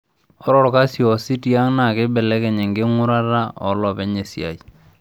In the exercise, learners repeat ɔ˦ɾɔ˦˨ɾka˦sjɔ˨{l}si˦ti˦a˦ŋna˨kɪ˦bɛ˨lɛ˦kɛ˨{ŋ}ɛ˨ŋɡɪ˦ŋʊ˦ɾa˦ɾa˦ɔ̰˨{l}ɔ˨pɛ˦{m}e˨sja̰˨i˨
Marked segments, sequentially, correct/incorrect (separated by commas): incorrect, incorrect, correct, incorrect